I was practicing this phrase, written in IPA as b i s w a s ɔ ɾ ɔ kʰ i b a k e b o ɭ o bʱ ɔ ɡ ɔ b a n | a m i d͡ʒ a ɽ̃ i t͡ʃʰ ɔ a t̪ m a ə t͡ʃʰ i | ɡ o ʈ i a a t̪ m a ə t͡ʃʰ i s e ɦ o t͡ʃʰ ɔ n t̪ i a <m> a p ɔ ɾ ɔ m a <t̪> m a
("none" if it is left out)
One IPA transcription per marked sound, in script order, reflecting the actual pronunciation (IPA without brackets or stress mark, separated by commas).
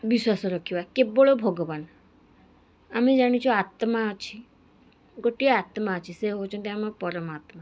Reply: m, t̪